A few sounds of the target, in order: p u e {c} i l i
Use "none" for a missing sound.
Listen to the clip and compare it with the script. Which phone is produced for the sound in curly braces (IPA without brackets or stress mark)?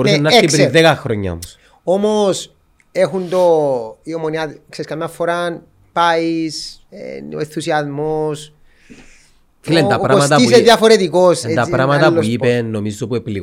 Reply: p